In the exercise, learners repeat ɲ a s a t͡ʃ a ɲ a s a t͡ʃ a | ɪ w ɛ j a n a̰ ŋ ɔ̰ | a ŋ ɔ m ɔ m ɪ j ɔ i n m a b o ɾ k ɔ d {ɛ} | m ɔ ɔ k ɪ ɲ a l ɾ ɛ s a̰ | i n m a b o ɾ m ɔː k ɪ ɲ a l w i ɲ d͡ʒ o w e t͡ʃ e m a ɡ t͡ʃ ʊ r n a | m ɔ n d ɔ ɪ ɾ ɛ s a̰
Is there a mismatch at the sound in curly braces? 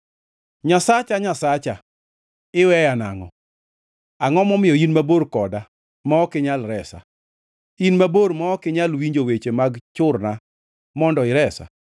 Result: yes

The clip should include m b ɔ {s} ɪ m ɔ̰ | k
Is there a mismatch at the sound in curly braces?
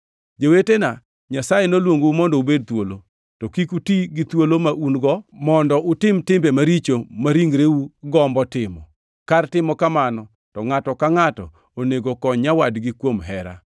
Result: yes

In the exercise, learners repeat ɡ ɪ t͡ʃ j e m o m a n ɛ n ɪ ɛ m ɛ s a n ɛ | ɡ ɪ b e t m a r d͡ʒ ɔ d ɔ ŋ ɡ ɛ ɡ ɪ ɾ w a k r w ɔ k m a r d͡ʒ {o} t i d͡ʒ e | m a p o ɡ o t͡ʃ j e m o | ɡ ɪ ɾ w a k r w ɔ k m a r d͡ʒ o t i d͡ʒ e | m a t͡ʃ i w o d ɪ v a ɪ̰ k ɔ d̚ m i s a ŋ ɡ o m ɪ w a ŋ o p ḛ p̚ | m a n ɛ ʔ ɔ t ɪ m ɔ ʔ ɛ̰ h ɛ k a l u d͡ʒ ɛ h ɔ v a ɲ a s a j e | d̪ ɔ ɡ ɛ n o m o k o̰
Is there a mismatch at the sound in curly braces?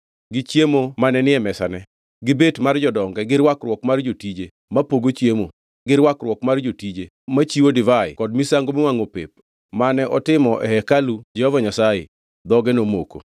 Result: no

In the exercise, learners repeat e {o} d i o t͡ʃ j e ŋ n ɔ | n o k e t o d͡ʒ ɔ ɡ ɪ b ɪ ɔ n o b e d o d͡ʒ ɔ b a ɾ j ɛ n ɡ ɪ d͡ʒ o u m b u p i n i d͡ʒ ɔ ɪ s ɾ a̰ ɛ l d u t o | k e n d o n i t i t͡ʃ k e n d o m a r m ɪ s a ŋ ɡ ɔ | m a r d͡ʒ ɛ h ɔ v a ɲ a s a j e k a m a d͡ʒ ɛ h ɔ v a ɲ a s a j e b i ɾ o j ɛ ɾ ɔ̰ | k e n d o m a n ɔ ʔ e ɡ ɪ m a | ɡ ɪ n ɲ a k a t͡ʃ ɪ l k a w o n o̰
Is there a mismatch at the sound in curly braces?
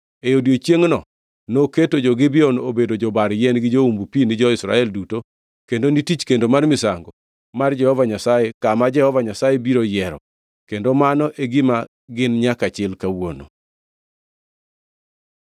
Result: no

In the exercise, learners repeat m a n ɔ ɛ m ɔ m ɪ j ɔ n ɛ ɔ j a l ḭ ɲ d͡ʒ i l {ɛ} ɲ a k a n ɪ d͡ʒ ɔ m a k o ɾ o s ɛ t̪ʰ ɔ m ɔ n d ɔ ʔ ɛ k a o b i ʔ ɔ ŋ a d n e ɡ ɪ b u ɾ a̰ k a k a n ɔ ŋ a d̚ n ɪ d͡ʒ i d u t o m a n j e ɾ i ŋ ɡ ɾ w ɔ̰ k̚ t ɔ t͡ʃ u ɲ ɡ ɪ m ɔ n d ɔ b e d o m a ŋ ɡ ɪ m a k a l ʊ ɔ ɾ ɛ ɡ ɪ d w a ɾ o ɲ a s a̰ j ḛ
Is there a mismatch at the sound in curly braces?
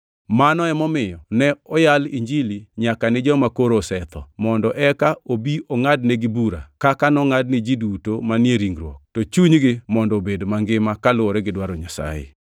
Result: yes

